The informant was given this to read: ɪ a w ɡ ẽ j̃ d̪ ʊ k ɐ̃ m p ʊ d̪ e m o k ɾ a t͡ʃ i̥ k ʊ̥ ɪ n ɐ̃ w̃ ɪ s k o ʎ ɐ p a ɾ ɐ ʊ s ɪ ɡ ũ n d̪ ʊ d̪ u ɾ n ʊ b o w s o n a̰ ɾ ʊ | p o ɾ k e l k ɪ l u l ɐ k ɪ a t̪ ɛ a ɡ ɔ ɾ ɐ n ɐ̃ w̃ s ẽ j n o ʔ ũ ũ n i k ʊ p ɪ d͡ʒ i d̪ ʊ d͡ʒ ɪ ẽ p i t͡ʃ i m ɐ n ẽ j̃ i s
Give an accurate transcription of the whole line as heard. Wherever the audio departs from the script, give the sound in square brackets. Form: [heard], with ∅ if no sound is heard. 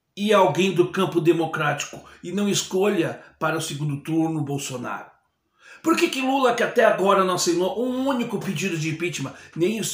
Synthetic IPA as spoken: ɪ a w ɡ ẽ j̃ d̪ ʊ k ɐ̃ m p ʊ d̪ e m o k ɾ a t͡ʃ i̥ k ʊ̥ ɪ n ɐ̃ w̃ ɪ s k o ʎ ɐ p a ɾ ɐ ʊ s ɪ ɡ ũ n d̪ ʊ [t̪] u ɾ n ʊ b o w s o n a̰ ɾ ʊ | p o ɾ k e [∅] k ɪ l u l ɐ k ɪ a t̪ ɛ a ɡ ɔ ɾ ɐ n ɐ̃ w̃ s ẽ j n o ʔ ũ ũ n i k ʊ p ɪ d͡ʒ i d̪ ʊ d͡ʒ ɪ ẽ p i t͡ʃ i m ɐ n ẽ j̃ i s

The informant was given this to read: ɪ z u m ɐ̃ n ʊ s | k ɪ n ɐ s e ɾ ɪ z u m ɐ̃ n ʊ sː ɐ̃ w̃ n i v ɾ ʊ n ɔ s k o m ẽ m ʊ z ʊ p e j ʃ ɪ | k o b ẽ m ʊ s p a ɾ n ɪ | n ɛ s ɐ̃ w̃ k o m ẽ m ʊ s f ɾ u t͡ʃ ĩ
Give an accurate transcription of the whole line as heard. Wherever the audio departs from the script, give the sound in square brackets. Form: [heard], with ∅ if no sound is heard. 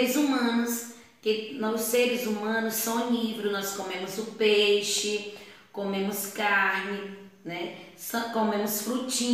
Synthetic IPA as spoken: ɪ z u m ɐ̃ n ʊ s | k ɪ n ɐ s e ɾ ɪ z u m ɐ̃ n ʊ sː ɐ̃ w̃ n i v ɾ ʊ n ɔ s k o m ẽ m ʊ z ʊ p e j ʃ ɪ | k o [m] ẽ m ʊ s [k] a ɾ n ɪ | n ɛ s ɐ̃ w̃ k o m ẽ m ʊ s f ɾ u t͡ʃ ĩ

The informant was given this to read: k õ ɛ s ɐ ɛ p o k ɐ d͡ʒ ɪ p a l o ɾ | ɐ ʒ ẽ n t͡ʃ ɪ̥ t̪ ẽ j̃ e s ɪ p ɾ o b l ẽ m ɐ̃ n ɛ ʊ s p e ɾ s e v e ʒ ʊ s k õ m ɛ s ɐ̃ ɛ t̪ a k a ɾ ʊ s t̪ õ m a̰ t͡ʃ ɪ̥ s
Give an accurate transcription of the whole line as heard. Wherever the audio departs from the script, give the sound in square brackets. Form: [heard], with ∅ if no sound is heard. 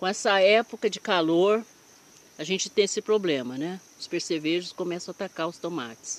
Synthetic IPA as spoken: k õ ɛ s ɐ ɛ p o k ɐ d͡ʒ ɪ [k] a l o ɾ | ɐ ʒ ẽ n t͡ʃ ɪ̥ t̪ ẽ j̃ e s ɪ p ɾ o b l ẽ m [ɐ] n ɛ ʊ s p e ɾ s e v e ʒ ʊ s k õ m ɛ s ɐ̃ [a] t̪ a k a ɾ ʊ s t̪ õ m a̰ t͡ʃ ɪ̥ s

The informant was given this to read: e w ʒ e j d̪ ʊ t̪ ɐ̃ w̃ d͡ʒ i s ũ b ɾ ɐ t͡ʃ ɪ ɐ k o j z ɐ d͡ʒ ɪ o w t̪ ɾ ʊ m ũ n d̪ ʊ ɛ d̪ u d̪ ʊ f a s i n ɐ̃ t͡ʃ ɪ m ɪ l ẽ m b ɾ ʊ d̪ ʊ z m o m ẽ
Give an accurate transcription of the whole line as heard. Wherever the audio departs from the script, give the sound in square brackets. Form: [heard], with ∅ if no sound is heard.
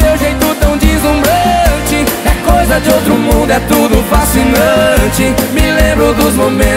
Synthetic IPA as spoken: e w ʒ e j [t̪] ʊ t̪ ɐ̃ w̃ d͡ʒ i [z] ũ b ɾ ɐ t͡ʃ ɪ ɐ k o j z ɐ d͡ʒ ɪ o w t̪ ɾ ʊ m ũ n d̪ ʊ ɛ [t̪] u d̪ ʊ f a s i n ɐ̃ t͡ʃ ɪ m ɪ l ẽ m b ɾ ʊ d̪ ʊ z m o m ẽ

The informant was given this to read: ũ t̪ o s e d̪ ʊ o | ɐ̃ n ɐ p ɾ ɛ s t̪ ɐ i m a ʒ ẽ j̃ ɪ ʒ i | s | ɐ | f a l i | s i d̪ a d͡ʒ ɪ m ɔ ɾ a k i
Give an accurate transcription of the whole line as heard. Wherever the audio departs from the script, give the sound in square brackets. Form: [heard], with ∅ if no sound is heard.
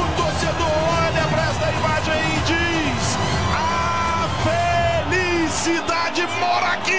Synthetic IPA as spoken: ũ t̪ o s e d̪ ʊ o | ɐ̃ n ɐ p ɾ ɛ s t̪ ɐ i m a ʒ ẽ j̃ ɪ [d͡ʒ] i | s | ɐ | f [e] l i | s i d̪ a d͡ʒ ɪ m ɔ ɾ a k i

